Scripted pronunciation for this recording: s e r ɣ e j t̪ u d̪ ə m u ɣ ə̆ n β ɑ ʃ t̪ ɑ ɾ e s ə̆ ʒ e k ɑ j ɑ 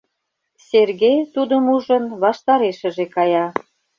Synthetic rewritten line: s e r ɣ e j t̪ u d̪ ə m u ʒ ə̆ n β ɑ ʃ t̪ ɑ ɾ e ʃ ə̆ ʒ e k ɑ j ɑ